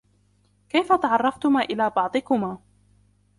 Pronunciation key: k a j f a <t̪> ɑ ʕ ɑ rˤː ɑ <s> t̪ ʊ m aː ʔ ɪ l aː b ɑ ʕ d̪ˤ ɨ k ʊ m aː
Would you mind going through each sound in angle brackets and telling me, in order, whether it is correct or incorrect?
correct, incorrect

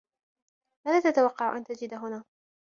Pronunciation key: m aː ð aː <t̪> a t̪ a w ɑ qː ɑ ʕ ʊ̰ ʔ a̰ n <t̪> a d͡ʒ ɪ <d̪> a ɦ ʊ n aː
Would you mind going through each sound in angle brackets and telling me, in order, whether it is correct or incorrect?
correct, correct, correct

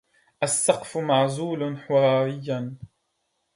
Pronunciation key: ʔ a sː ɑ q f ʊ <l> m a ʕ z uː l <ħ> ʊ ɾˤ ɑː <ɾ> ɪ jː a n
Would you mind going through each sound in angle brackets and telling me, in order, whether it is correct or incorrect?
incorrect, correct, correct

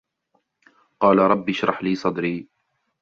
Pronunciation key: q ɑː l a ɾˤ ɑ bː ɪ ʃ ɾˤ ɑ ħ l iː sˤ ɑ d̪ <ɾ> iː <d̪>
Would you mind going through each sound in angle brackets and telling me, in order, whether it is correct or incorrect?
correct, incorrect

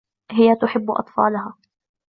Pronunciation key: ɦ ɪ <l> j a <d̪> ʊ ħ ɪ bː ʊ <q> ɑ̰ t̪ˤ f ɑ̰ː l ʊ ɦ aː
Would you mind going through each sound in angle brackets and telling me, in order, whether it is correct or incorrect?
incorrect, incorrect, incorrect

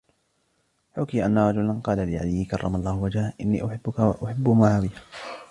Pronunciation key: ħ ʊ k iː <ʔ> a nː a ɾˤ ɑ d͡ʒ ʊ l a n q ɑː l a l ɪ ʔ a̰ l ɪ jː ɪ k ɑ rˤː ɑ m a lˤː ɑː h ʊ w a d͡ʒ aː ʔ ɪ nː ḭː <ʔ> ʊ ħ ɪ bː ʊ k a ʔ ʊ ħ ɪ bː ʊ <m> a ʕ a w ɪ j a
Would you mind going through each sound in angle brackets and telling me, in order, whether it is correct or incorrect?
correct, correct, correct

